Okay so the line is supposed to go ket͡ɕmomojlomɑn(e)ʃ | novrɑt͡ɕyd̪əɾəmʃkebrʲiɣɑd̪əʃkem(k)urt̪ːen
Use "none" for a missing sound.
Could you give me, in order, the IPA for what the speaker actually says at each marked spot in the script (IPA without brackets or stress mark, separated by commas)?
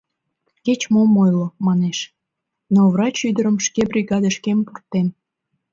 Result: e, p